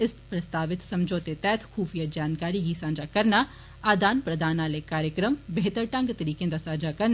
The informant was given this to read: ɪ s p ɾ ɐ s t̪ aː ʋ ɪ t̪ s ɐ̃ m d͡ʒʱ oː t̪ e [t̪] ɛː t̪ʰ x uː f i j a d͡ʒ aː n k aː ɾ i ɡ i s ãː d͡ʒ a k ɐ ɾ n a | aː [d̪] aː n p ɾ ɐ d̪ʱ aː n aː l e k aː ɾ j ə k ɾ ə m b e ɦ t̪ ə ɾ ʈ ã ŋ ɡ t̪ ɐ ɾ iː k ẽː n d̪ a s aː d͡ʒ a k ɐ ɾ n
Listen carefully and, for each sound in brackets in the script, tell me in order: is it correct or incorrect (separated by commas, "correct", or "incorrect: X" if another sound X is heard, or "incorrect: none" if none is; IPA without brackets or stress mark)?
correct, correct